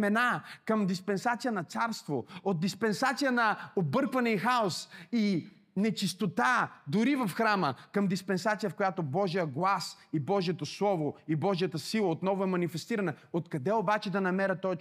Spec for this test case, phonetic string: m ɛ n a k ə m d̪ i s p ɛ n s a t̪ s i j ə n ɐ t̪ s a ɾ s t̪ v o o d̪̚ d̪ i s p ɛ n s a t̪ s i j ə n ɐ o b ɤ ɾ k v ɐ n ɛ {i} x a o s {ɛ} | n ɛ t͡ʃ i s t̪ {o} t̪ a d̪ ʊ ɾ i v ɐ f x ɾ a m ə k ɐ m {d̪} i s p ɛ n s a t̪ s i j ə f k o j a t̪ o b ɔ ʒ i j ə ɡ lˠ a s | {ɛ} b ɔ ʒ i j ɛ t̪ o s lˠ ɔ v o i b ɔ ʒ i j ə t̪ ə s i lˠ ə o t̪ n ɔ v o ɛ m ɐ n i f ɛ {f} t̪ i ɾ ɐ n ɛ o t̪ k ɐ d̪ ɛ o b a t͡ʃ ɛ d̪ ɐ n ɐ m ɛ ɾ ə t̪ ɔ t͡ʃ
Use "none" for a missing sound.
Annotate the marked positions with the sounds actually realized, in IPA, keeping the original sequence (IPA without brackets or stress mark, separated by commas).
i, i, o, d̪, i, s